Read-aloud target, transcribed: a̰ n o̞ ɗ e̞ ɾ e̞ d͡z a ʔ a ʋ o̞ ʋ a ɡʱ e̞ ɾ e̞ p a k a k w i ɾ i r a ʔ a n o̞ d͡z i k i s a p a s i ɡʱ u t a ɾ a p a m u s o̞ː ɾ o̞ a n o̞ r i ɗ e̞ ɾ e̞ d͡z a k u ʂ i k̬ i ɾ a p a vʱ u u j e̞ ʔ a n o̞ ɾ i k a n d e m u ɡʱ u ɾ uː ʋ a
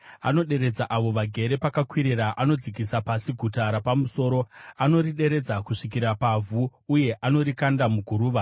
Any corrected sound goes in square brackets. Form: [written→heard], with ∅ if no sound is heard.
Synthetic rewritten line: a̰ n o̞ ɗ e̞ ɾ e̞ d͡z a ʔ a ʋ o̞ ʋ a ɡʱ e̞ ɾ e̞ p a k a k w i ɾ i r a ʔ a n o̞ d͡z i k i s a p a s i ɡʱ u t a ɾ a p a m u s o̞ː ɾ o̞ a n o̞ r i ɗ e̞ ɾ e̞ d͡z a k u ʂ i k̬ i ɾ a p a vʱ u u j e̞ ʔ a n o̞ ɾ i k a n d [e→a] m u ɡʱ u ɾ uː ʋ a